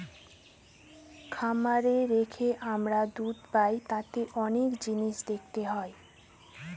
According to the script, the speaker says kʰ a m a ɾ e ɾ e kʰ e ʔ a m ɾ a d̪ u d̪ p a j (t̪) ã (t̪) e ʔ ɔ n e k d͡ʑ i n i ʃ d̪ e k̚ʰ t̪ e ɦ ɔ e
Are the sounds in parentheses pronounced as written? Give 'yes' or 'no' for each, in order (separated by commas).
yes, yes